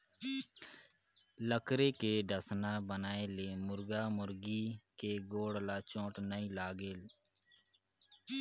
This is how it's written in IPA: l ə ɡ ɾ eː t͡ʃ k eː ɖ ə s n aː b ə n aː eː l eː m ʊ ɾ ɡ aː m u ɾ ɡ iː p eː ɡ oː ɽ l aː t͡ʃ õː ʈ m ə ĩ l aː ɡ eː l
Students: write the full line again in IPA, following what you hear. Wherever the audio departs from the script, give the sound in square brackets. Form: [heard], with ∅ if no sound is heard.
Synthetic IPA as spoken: l ə [k] ɾ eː [∅] k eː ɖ ə s n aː b ə n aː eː l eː m ʊ ɾ ɡ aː m [ʊ] ɾ ɡ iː [k] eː ɡ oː ɽ l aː t͡ʃ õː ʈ [n] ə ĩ l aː ɡ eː l